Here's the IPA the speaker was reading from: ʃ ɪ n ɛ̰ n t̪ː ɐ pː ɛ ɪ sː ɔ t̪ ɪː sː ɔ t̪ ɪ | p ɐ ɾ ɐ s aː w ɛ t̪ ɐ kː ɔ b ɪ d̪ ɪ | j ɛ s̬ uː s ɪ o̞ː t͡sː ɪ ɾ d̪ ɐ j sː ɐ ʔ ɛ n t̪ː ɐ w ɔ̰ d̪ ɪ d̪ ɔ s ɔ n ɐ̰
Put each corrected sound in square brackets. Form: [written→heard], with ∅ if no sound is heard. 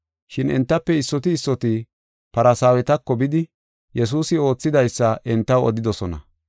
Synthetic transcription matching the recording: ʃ ɪ n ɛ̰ n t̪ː ɐ pː ɛ ɪ sː ɔ t̪ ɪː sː ɔ t̪ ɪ | p ɐ ɾ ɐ s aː w ɛ t̪ ɐ kː ɔ b ɪ d̪ ɪ | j ɛ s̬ uː s ɪ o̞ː t͡sː ɪ [ɾ→∅] d̪ ɐ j sː ɐ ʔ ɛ n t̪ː ɐ w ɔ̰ d̪ ɪ d̪ ɔ s ɔ n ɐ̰